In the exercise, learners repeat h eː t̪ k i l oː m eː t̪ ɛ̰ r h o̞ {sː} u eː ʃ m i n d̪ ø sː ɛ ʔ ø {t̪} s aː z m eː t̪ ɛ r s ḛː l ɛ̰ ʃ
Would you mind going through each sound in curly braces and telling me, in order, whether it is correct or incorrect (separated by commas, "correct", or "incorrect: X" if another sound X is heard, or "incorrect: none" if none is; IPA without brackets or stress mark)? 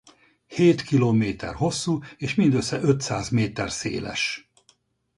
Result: correct, correct